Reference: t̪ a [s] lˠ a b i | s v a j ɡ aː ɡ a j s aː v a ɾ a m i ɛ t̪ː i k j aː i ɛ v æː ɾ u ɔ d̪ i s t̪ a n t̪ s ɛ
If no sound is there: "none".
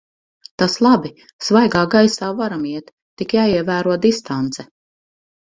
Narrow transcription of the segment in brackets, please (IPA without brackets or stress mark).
s